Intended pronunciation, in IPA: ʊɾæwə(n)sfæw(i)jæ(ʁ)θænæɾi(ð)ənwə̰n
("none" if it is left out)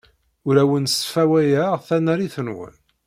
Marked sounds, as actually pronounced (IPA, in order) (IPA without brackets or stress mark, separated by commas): n, æ, ʁ, θ